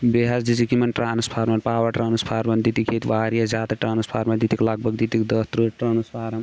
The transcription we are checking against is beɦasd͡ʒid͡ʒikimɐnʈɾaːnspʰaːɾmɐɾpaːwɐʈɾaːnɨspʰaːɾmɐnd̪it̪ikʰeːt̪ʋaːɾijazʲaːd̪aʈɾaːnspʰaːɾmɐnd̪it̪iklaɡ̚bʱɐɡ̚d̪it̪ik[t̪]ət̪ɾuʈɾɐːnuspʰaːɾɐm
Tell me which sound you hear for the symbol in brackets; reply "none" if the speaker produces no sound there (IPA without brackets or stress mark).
d̪